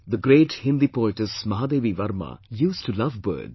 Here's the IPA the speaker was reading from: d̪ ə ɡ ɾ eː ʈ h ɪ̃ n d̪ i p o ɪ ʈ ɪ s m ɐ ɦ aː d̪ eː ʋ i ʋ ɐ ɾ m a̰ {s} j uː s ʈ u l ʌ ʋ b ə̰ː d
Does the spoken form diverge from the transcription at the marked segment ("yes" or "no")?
yes